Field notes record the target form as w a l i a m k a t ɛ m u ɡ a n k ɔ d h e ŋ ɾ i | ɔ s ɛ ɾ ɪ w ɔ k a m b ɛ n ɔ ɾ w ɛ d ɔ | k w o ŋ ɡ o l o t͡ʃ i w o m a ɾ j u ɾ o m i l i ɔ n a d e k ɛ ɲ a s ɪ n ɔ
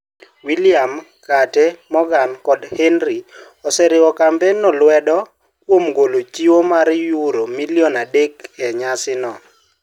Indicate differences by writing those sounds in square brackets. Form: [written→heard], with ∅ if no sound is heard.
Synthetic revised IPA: w [a→i] l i a m k a t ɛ m [u→ɔ] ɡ a n k ɔ d h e [ŋ→n] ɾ i | ɔ s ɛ ɾ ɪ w ɔ k a m b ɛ n ɔ [ɾ→l] w ɛ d ɔ | k w o [ŋ→m] ɡ o l o t͡ʃ i w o m a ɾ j u ɾ o m i l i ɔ n a d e k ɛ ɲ a s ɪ n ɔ